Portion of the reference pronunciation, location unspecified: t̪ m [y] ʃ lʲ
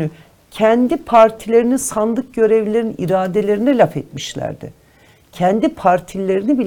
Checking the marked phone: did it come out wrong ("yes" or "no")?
yes